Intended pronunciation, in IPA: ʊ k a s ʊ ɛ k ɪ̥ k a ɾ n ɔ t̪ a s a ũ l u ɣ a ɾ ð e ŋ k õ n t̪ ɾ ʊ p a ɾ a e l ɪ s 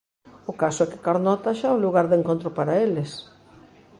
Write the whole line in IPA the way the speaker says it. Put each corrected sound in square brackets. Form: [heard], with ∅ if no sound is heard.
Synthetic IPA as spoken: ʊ k a s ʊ ɛ k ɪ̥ k a ɾ n ɔ t̪ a [ʃ] a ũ l u ɣ a ɾ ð e ŋ k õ n t̪ ɾ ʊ p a ɾ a e l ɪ s